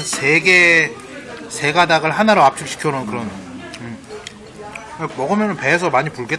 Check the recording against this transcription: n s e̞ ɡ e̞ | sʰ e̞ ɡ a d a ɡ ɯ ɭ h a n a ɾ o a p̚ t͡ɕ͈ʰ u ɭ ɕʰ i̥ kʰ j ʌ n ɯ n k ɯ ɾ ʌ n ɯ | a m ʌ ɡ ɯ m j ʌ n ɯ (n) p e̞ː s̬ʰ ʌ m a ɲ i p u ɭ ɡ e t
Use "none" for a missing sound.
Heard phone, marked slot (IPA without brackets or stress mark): n